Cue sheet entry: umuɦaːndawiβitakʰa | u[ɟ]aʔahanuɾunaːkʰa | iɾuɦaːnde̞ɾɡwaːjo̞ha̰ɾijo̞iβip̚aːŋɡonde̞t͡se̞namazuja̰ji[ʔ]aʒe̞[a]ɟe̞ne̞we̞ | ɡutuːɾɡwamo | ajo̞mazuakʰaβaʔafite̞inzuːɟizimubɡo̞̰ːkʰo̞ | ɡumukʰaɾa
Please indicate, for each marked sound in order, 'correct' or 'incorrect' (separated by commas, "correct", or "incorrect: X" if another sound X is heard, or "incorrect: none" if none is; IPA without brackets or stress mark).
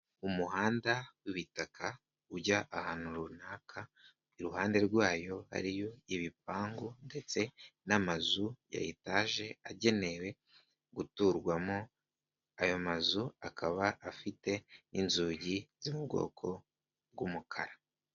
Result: correct, incorrect: t, correct